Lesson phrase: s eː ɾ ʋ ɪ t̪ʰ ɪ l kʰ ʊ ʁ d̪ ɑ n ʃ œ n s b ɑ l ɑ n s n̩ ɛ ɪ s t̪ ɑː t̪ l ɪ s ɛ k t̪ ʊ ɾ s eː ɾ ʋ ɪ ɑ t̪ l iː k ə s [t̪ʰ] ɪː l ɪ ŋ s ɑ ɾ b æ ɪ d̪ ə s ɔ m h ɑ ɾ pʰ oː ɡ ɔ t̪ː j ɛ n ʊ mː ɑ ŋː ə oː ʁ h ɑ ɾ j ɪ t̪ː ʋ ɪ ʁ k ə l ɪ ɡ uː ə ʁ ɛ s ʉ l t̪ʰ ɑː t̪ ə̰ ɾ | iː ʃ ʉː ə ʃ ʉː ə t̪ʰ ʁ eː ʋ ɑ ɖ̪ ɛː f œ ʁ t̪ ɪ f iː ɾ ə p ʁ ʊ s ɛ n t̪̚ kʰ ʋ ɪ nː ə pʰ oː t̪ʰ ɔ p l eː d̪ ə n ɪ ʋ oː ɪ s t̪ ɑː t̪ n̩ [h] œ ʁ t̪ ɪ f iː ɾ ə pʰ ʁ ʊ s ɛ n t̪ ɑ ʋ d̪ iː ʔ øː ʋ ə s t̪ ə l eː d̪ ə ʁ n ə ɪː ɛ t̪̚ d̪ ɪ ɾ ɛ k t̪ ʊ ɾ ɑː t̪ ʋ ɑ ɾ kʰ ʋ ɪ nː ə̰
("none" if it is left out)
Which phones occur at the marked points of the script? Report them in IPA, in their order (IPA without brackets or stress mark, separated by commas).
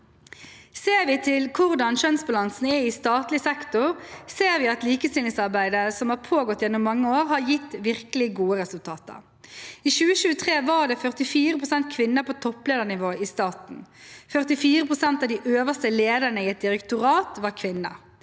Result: t̪, f